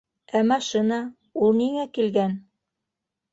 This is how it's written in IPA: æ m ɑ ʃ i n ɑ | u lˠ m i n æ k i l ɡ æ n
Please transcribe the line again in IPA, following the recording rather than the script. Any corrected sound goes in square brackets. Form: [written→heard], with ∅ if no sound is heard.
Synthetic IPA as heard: æ m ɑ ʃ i n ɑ | u lˠ [m→n] i [n→ŋ] æ k i l ɡ æ n